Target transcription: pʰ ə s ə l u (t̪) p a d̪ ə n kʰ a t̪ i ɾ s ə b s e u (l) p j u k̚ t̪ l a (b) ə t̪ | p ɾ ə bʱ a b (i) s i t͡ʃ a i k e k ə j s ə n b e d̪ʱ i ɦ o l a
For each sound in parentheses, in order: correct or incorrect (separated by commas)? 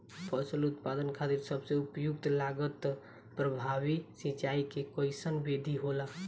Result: correct, incorrect, incorrect, correct